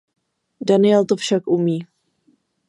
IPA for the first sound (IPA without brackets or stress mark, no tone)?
d